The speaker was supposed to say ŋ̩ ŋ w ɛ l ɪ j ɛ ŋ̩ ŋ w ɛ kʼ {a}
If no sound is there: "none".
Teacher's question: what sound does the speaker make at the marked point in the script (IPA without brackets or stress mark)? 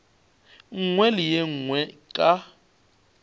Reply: a